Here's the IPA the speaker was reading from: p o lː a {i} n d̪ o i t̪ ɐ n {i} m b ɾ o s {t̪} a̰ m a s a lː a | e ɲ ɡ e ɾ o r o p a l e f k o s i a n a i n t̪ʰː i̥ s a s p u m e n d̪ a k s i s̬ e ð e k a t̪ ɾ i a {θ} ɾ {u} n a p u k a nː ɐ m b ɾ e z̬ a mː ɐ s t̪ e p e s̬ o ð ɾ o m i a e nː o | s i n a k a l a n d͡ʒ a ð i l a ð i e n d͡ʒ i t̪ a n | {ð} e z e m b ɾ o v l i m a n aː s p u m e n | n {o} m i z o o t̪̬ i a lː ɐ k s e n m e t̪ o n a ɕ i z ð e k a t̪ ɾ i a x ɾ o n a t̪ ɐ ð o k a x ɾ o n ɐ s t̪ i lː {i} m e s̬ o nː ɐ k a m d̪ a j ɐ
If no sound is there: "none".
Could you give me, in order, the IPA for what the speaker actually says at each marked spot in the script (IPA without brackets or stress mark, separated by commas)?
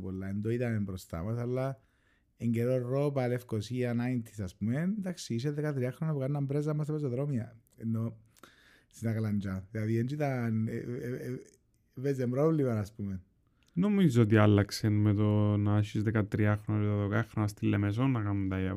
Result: e, e, t̪, x, o, v, o, e